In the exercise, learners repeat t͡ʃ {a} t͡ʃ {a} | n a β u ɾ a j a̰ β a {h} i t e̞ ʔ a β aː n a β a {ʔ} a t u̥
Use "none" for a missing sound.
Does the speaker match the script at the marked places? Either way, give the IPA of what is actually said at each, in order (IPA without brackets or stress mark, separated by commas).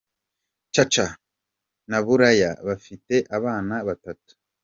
a, a, f, t